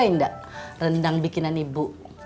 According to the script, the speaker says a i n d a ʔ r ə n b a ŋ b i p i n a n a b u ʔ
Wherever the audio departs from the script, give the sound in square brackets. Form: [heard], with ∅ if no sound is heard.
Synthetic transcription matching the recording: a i n d a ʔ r ə n [d] a ŋ b i [k] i n a n [i] b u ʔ